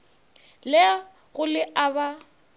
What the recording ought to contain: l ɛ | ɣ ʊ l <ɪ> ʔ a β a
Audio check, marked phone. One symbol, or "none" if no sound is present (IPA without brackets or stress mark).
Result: ɪ